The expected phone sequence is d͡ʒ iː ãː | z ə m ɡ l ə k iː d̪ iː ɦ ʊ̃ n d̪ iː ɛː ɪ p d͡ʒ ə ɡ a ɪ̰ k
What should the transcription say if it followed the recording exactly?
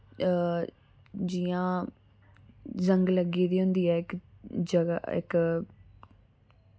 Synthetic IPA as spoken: d͡ʒ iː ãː | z ə ŋ ɡ l ə ɡ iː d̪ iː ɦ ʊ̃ n d̪ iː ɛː ɪ k d͡ʒ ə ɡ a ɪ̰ k